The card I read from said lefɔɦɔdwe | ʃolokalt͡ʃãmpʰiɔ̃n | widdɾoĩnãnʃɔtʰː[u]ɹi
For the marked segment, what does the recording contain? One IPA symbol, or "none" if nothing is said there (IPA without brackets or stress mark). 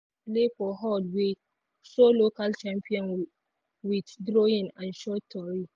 ɔ